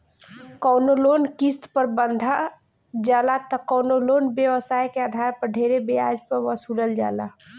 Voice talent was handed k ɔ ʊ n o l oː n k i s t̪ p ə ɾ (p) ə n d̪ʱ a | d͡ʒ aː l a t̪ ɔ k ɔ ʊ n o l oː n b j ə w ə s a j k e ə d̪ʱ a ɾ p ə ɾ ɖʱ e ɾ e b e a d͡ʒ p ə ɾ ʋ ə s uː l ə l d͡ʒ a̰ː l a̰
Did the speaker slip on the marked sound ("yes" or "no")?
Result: yes